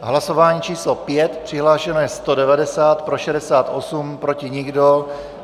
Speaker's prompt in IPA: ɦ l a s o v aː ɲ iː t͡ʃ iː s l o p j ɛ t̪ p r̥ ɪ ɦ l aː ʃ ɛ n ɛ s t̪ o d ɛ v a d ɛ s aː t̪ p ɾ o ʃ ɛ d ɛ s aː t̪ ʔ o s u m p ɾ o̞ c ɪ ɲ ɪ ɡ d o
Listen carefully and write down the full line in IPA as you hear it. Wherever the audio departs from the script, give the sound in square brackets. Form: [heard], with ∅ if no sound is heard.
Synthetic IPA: ɦ l a s o v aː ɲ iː t͡ʃ iː s l o p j ɛ t̪ p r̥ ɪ ɦ l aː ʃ ɛ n ɛ s t̪ o d ɛ v a d ɛ s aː t̪ p ɾ o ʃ ɛ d ɛ s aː t̪ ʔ o s u m p ɾ o̞ c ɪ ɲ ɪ ɡ d o